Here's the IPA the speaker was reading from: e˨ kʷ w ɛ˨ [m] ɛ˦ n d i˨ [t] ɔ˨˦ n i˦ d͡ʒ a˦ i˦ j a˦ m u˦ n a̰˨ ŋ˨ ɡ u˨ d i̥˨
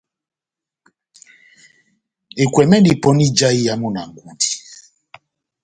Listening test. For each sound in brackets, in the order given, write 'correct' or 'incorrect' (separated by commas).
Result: correct, incorrect